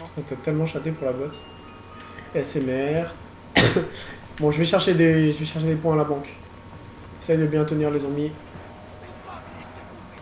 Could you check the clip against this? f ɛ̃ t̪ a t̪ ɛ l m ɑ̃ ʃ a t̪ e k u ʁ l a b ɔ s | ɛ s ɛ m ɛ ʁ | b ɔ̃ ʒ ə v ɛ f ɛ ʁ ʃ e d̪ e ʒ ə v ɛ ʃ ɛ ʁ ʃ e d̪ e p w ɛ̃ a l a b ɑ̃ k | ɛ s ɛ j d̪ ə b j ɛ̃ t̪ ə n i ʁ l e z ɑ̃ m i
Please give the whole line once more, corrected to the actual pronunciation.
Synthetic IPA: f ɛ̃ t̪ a t̪ ɛ l m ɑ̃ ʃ a t̪ e p u ʁ l a b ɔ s | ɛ s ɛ m ɛ ʁ | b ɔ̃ ʒ ə v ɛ ʃ ɛ ʁ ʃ e d̪ e ʒ ə v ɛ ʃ ɛ ʁ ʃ e d̪ e p w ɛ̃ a l a b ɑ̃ k | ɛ s ɛ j d̪ ə b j ɛ̃ t̪ ə n i ʁ l e z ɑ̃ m i